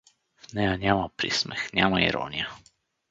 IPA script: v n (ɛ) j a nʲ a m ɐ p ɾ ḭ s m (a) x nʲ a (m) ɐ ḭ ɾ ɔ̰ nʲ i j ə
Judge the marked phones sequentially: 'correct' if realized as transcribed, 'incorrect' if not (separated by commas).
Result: correct, incorrect, correct